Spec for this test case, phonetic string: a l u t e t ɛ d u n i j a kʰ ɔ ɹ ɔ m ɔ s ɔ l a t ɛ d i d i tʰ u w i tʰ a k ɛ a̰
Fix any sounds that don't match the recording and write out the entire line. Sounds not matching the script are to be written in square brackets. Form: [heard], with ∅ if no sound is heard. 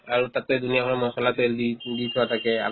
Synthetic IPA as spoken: a [ɹ] u t [a] t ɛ d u n i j a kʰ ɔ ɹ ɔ m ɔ s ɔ l a t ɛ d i d i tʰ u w [a] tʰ a k ɛ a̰